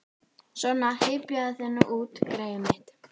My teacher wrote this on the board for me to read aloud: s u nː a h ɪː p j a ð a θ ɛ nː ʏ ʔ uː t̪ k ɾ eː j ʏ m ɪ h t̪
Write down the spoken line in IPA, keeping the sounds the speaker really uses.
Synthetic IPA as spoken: s ɔ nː a h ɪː p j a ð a θ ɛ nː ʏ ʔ uː t̪ k ɾ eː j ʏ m ɪ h t̪